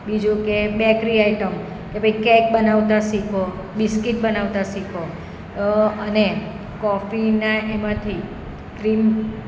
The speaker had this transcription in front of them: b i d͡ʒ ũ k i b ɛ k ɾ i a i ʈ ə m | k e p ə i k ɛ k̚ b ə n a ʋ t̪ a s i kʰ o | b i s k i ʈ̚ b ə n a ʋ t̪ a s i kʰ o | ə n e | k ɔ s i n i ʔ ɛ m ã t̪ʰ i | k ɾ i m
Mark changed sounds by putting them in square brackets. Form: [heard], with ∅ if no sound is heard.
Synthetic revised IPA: b i d͡ʒ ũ k [e] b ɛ k ɾ i a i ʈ ə m | k e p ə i k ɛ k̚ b ə n a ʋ t̪ a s i kʰ o | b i s k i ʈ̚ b ə n a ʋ t̪ a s i kʰ o | ə n e | k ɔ [f] i n [a] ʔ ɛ m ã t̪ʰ i | k ɾ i m

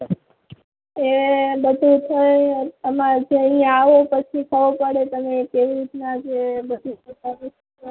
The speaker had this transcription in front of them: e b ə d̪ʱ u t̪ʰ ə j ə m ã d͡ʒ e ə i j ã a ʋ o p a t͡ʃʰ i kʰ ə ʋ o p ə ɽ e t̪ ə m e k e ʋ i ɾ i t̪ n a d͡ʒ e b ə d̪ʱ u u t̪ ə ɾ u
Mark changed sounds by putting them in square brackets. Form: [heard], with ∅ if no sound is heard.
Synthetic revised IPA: e b ə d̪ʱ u t̪ʰ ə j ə m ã d͡ʒ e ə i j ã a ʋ o p [ə] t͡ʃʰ i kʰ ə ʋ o p ə ɽ e t̪ ə m e k e ʋ i ɾ i t̪ n a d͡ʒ e b ə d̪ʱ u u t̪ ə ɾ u

